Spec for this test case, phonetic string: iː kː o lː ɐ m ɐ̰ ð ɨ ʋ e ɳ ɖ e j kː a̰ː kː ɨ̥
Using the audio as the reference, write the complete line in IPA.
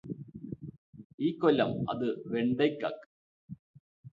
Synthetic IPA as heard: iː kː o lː ɐ m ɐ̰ ð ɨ ʋ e ɳ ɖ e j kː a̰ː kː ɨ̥

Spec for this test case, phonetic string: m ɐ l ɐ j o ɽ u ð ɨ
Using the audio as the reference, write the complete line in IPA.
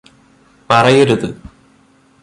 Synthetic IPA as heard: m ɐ r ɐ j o ɾ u ð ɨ

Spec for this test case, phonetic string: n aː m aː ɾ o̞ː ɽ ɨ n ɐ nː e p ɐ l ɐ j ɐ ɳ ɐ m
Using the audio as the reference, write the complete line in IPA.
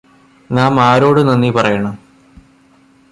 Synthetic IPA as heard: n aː m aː ɾ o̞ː ɽ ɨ n ɐ nː i p ɐ r ɐ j ɐ ɳ ɐ m

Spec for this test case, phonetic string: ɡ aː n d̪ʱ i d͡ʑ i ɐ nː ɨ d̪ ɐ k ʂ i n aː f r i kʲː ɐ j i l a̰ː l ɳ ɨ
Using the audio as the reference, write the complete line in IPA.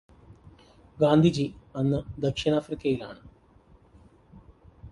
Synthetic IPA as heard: ɡ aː n d̪ʱ i d͡ʑ i ɐ nː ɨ d̪ ɐ k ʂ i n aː f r i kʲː ɐ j i l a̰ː ɳ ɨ

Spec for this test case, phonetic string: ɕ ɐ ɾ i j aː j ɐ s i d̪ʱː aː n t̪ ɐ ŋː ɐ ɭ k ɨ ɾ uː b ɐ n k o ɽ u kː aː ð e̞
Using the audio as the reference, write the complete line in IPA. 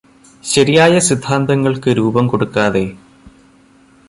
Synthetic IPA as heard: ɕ ɐ ɾ i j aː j ɐ s i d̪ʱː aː n d̪ ɐ ŋː ɐ ɭ k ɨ ɾ uː b ɐ m k o ɽ u kː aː ð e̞

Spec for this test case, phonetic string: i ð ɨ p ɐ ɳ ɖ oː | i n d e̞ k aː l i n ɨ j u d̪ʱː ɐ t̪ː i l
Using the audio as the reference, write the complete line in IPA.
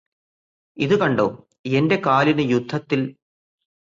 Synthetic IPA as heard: i ð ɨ k ɐ ɳ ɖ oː | e n d e̞ k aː l i n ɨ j u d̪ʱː ɐ t̪ː i l

